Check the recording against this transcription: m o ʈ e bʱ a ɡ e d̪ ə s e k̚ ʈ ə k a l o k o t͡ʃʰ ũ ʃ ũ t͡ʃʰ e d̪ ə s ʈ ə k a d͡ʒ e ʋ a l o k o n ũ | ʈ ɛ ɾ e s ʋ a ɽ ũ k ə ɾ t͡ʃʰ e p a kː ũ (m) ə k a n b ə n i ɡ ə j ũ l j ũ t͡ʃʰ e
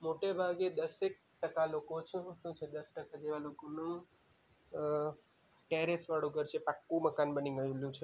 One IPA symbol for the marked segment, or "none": m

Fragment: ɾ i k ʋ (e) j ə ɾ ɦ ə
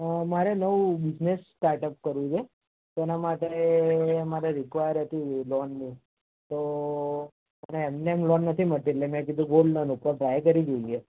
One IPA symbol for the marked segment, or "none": a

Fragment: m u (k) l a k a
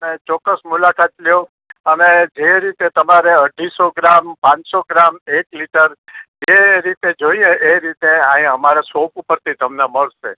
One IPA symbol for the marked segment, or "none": none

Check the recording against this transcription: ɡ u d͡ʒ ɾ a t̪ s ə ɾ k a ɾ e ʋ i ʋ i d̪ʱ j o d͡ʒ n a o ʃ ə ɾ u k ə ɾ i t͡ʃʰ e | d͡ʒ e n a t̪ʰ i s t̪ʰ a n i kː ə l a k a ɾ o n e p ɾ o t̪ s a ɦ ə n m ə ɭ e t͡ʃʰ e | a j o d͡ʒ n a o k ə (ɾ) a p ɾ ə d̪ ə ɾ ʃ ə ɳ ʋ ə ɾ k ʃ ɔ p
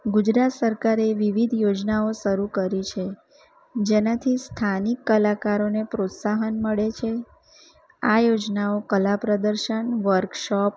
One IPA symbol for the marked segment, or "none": l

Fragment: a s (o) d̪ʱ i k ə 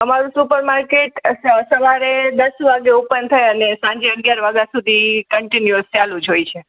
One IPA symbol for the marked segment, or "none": u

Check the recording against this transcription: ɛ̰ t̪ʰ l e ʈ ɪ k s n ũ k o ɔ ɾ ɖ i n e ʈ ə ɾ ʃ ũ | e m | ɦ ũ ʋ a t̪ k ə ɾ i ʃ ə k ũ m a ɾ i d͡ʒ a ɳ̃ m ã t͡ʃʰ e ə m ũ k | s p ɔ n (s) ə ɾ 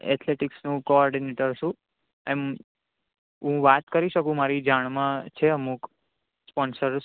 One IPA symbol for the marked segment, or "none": s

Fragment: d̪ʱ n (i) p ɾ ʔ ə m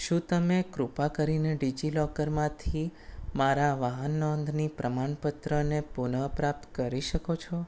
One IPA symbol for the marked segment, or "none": i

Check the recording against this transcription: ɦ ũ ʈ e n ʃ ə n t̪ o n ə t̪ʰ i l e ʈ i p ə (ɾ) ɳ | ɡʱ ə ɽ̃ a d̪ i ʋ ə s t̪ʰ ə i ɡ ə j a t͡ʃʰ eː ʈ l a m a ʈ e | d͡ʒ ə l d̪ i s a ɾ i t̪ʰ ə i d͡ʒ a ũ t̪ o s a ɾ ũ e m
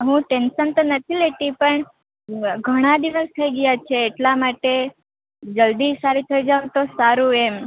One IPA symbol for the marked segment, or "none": none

